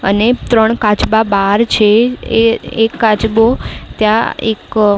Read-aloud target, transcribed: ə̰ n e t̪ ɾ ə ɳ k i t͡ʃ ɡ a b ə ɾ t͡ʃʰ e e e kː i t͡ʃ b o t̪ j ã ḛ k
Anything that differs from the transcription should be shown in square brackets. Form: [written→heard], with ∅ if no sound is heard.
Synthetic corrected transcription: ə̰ n e t̪ ɾ ə ɳ k [i→a] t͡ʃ [ɡ→b] a b [ə→a] ɾ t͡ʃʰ e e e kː [i→a] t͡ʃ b o t̪ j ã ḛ k